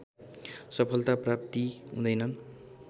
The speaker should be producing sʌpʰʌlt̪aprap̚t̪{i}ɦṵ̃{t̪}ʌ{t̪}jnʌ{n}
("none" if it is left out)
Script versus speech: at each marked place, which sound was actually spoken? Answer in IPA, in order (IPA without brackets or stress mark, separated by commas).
i, d̪, none, n